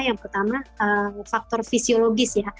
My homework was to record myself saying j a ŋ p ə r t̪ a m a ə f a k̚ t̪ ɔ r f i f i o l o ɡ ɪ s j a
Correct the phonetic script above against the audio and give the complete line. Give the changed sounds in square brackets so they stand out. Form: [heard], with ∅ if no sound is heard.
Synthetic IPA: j a ŋ p ə r t̪ a m a ə f a k̚ t̪ ɔ r f i [s] i o l o ɡ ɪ s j a

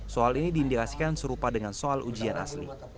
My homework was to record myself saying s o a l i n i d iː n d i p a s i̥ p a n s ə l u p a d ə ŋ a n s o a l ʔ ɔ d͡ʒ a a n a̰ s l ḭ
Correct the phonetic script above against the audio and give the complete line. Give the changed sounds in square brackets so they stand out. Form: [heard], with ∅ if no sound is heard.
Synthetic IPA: s o a l i n i d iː n d i [k] a s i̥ [k] a n s ə [ɾ] u p a d ə ŋ a n s o a l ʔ [u] d͡ʒ [i] a n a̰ s l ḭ

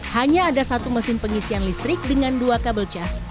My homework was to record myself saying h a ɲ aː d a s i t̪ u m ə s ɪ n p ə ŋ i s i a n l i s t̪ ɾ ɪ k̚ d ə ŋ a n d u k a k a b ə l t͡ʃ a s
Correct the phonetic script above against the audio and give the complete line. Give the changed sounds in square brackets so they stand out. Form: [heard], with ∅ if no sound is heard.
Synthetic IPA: h a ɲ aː d a s [a] t̪ u m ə s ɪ n p ə ŋ i s i a n l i s t̪ ɾ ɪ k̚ d ə ŋ a n d u [∅] a k a b ə l t͡ʃ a s

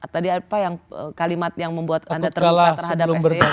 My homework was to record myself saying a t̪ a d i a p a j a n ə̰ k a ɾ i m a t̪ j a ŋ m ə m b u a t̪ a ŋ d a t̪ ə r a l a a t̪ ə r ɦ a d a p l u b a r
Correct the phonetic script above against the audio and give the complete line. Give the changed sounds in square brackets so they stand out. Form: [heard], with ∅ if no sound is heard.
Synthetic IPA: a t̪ a d i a p a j a [ŋ] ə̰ k a [l] i m a t̪ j a ŋ m ə m b u a t̪ a [n] d a t̪ ə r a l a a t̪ ə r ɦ a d a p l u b [ə] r

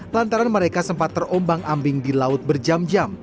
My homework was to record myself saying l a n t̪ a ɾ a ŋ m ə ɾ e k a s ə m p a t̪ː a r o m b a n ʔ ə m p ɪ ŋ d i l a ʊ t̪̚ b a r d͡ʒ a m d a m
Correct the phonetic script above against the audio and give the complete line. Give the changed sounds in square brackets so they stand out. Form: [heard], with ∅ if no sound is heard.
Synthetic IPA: l a n t̪ a ɾ a [n] m ə ɾ e k a s ə m p a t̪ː [ə] r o m b a [ŋ] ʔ [a] m [b] ɪ ŋ d i l a ʊ t̪̚ b [ə] r d͡ʒ a m [d͡ʒ] a m

